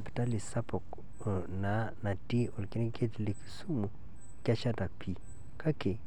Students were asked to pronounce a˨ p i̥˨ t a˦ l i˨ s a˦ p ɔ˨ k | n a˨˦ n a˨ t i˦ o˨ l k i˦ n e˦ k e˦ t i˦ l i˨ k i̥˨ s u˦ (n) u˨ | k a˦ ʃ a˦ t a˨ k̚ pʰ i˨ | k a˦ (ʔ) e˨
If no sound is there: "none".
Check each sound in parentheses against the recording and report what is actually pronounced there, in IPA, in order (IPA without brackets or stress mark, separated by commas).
m, k